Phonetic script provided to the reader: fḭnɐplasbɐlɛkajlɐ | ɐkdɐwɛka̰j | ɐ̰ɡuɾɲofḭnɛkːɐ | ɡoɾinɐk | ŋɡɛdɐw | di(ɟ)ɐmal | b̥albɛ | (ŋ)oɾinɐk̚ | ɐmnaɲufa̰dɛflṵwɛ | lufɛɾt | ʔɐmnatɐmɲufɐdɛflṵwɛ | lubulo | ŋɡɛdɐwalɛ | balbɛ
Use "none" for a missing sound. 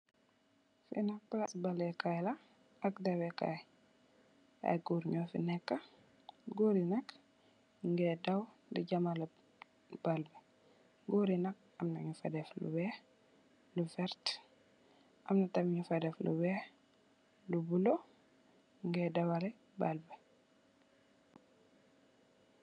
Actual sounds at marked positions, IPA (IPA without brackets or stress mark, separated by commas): ɟ, ɡ